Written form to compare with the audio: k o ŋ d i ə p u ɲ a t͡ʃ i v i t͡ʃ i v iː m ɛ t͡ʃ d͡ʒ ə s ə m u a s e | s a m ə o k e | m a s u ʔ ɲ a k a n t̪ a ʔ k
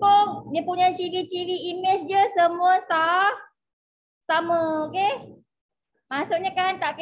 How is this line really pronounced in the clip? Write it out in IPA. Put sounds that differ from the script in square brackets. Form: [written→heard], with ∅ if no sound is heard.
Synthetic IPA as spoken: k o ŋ d i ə p u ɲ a t͡ʃ i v i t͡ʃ i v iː m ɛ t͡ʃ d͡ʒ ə s ə m u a s [e→a] | s a m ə o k e | m a s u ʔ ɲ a k a n t̪ a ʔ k